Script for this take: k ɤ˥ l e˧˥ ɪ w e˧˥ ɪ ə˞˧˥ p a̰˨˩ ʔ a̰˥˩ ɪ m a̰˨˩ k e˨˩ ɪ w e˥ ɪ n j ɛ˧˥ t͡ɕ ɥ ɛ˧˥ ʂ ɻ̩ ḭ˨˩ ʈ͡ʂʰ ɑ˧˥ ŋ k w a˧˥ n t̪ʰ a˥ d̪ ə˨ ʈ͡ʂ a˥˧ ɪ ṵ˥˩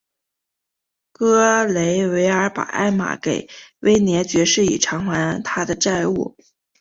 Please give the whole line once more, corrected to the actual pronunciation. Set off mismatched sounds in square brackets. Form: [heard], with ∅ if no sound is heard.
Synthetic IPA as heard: k ɤ˥ l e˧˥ ɪ w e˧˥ ɪ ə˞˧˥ p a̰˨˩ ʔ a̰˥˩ ɪ m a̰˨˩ k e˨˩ ɪ w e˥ ɪ n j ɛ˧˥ t͡ɕ ɥ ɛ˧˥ ʂ ɻ̩ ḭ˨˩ ʈ͡ʂʰ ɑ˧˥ ŋ [x] w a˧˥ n t̪ʰ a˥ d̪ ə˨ ʈ͡ʂ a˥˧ ɪ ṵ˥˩